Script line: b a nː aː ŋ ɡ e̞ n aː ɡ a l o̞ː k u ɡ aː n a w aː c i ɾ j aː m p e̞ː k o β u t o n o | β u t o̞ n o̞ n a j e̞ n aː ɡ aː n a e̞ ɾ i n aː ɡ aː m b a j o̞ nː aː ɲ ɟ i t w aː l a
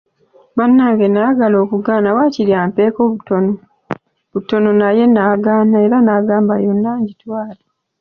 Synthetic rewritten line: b a nː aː ŋ ɡ e̞ n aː ɡ a l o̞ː k u ɡ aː n a w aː c i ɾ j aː m p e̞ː k o β u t o n o | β u t o̞ n o̞ n a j e̞ n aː ɡ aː n a e̞ ɾ a n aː ɡ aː m b a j o̞ nː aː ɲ ɟ i t w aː l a